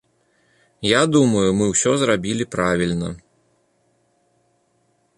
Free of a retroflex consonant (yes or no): yes